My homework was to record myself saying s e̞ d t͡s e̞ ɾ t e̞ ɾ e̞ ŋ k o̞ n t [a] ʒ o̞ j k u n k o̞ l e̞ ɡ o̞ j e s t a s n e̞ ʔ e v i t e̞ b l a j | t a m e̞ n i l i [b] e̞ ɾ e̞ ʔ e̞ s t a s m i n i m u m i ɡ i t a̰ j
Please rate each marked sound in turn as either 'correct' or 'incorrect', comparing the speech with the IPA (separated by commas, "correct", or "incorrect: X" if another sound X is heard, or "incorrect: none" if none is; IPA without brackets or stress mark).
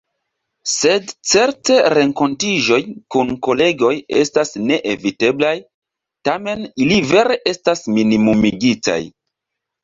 incorrect: i, incorrect: v